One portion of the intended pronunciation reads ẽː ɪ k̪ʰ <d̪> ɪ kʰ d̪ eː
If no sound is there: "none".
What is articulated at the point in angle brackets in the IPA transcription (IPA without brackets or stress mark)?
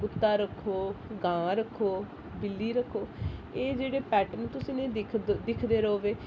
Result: d̪